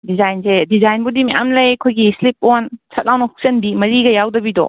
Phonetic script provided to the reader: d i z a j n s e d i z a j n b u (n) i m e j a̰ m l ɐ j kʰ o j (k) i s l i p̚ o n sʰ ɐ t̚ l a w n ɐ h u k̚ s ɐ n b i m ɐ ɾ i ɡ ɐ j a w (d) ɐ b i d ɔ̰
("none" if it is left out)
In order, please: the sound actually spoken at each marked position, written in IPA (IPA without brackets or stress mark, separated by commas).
d, ɡ, d